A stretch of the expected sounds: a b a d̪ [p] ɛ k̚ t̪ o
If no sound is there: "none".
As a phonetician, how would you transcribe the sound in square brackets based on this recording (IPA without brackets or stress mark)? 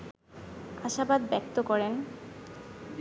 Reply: b